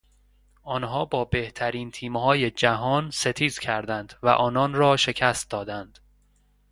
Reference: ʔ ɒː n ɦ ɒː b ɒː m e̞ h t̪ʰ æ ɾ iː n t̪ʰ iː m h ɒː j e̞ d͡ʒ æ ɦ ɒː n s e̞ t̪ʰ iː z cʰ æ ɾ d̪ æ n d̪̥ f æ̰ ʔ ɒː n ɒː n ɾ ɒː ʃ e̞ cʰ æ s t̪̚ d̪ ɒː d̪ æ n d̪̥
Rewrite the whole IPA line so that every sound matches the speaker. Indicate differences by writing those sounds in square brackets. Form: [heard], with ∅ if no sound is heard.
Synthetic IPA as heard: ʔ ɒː n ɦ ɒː b ɒː [b] e̞ h t̪ʰ æ ɾ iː n t̪ʰ iː m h ɒː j e̞ d͡ʒ æ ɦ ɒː n s e̞ t̪ʰ iː z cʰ æ ɾ d̪ æ n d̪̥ [v] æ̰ ʔ ɒː n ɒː n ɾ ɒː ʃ e̞ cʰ æ s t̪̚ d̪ ɒː d̪ æ n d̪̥